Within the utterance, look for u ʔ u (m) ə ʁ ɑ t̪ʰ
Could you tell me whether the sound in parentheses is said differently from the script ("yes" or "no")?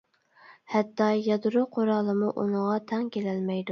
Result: yes